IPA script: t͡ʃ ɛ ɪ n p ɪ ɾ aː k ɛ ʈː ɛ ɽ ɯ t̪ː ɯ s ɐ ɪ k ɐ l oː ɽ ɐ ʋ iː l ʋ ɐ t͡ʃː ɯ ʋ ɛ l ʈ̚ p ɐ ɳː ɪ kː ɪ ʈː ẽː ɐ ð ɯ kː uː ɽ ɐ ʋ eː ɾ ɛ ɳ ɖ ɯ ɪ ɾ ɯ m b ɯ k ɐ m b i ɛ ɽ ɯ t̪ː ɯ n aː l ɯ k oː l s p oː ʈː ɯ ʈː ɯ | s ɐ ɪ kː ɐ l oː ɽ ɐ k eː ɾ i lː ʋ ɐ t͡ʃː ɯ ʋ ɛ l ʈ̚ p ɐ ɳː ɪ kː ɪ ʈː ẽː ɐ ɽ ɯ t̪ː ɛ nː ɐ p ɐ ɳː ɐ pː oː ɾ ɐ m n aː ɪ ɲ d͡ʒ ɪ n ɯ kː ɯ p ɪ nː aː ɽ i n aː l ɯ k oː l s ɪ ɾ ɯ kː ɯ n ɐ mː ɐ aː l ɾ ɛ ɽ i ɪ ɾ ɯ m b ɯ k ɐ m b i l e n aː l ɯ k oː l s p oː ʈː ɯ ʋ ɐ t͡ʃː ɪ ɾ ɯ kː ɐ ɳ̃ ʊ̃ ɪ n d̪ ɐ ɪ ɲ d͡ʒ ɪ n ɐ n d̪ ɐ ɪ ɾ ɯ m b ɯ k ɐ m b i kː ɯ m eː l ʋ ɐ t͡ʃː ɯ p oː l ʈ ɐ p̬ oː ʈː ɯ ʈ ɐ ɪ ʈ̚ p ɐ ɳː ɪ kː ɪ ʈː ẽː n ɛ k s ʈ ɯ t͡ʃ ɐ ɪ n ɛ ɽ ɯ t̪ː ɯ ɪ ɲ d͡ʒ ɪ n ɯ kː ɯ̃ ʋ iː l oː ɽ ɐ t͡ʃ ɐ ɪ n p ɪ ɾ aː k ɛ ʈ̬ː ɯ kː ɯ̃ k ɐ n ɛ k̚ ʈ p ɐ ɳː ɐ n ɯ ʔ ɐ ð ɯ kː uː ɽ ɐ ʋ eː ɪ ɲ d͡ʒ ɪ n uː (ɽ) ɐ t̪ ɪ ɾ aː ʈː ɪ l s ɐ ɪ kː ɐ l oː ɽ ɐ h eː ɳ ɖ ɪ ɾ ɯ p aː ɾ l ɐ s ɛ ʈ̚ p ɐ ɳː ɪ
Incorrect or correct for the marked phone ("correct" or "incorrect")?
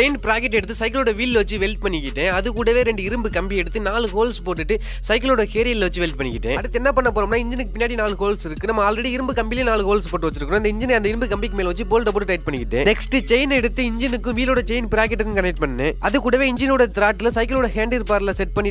correct